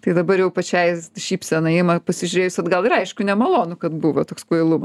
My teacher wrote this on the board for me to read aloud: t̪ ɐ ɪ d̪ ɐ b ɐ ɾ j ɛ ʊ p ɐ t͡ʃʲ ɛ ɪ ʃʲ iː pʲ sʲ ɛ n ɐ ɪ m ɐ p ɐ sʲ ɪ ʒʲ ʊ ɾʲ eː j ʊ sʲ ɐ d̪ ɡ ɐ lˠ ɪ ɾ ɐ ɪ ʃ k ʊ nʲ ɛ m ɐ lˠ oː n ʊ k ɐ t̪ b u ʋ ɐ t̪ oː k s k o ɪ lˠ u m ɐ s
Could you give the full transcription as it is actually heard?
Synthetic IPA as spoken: t̪ ɐ ɪ d̪ ɐ b ɐ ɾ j ɛ ʊ p ɐ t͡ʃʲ ɛ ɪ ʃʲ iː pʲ sʲ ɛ n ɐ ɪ m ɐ p ɐ sʲ ɪ ʒʲ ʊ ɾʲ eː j ʊ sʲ ɐ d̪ ɡ ɐ lˠ ɪ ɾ ɐ ɪ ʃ k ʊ nʲ ɛ m ɐ lˠ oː n ʊ k ɐ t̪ b u ʋ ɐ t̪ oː k s k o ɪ lˠ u m ɐ s